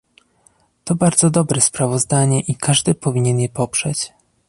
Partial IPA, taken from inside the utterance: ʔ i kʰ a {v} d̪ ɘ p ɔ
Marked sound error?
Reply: yes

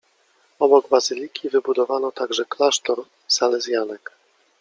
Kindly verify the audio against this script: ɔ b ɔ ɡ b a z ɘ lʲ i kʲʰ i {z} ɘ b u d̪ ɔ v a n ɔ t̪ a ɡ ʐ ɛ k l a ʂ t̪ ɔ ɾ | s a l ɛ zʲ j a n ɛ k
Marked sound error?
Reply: yes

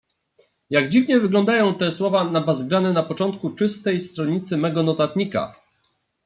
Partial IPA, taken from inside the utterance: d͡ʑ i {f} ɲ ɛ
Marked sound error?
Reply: yes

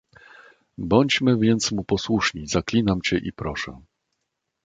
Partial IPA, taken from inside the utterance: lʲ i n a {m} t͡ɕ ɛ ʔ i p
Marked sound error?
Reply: no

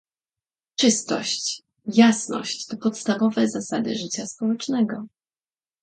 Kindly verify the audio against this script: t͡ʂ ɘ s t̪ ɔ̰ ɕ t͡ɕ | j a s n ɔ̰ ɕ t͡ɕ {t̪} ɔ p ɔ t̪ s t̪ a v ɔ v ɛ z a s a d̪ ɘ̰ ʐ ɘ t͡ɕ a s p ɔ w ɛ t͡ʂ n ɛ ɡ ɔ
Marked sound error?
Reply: no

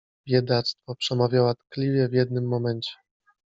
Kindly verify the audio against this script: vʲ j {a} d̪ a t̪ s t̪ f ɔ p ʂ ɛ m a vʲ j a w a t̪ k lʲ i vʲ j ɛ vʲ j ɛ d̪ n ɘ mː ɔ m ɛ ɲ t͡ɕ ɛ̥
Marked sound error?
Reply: yes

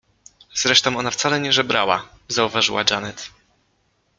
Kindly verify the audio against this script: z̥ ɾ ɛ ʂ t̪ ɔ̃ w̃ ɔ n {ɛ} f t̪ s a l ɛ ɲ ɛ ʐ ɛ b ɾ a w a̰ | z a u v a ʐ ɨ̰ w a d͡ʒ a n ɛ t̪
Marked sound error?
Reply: yes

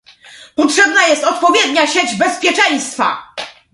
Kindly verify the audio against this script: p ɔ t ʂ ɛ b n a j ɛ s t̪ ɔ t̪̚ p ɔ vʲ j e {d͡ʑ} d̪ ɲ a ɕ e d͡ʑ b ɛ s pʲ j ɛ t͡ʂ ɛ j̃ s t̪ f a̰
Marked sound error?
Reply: yes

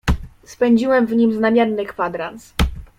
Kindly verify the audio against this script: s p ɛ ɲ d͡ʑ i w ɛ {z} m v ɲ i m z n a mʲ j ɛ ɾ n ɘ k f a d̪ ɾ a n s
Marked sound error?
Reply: yes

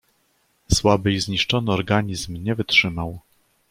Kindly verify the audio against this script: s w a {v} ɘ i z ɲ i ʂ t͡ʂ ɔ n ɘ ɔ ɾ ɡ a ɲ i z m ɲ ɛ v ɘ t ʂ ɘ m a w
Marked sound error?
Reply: yes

